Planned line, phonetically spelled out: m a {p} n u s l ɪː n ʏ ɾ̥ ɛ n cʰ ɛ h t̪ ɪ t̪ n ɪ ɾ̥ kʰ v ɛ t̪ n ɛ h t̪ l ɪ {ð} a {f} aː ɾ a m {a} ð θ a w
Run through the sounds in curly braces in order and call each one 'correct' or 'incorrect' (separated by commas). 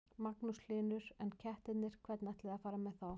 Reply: incorrect, correct, correct, incorrect